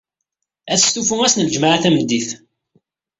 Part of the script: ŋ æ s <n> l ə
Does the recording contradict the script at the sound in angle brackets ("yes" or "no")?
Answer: no